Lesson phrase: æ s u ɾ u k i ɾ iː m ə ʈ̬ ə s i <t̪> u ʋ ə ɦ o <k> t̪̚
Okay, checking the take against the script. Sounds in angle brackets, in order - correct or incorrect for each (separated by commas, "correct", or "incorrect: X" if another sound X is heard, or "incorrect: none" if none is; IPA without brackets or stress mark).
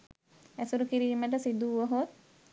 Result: incorrect: d̪, incorrect: none